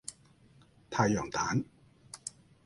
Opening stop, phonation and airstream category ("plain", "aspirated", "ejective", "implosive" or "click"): aspirated